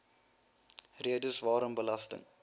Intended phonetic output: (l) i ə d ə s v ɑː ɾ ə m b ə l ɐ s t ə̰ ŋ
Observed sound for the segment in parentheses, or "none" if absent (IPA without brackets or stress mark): r